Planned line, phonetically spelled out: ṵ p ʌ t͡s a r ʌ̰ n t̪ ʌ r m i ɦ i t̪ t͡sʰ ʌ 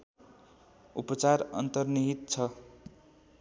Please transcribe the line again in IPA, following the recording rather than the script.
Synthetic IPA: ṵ p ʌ t͡s a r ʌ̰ n t̪ ʌ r n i ɦ i t̪ t͡sʰ ʌ